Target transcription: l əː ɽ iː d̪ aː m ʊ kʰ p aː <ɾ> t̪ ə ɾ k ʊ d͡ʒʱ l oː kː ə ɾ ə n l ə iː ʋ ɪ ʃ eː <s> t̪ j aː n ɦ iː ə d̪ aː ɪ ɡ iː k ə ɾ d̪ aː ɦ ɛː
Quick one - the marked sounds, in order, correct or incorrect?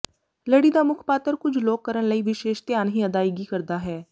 incorrect, incorrect

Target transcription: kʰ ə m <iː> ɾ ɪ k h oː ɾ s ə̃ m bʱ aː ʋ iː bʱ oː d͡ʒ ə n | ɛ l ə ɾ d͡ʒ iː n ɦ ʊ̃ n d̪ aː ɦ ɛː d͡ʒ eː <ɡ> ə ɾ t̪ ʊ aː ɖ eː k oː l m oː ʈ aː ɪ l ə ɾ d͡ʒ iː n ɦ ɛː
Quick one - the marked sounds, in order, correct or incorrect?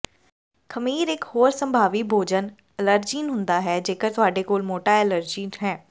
correct, incorrect

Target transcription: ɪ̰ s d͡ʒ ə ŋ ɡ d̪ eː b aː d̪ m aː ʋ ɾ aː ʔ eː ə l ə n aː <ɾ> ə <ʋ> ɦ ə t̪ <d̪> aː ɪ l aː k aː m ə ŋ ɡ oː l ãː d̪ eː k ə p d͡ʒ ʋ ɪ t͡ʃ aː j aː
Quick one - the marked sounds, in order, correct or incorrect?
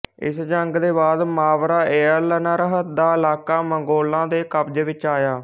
correct, incorrect, correct

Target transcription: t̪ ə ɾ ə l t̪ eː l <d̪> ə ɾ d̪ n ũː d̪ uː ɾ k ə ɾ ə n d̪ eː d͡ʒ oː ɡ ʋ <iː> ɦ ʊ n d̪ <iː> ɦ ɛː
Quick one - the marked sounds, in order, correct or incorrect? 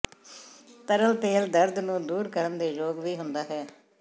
correct, correct, incorrect

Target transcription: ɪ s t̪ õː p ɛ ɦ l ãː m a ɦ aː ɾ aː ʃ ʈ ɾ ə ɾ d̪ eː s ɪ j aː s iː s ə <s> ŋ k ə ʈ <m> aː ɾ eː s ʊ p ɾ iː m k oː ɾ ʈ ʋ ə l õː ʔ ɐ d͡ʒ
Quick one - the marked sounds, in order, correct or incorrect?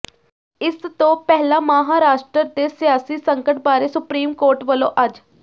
incorrect, incorrect

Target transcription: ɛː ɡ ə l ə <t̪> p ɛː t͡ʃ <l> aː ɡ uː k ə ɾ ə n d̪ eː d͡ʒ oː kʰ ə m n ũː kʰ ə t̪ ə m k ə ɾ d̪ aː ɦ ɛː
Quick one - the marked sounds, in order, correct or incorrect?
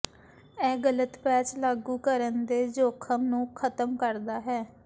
correct, correct

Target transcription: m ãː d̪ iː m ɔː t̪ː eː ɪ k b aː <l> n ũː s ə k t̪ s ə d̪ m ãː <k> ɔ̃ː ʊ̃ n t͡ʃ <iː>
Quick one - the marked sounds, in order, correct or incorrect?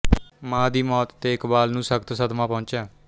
correct, incorrect, incorrect

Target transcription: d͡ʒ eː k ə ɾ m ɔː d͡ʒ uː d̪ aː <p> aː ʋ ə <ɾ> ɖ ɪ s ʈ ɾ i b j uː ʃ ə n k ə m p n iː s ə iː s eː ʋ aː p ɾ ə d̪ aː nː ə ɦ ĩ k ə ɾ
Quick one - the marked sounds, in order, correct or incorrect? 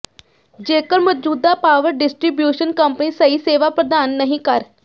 correct, correct

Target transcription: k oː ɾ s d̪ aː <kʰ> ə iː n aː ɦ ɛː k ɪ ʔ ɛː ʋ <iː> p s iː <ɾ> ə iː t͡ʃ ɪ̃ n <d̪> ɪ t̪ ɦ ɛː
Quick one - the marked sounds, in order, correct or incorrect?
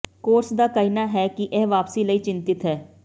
incorrect, incorrect, incorrect, incorrect

